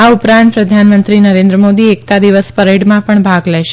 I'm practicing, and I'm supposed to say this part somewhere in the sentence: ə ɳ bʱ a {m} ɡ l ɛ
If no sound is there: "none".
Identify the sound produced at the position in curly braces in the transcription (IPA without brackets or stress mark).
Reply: none